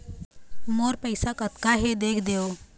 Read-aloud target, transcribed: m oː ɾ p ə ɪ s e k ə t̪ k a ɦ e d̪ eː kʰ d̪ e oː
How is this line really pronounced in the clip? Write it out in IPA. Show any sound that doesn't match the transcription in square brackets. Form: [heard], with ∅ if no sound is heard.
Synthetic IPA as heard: m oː ɾ p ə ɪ s [a] k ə t̪ k a ɦ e d̪ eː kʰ d̪ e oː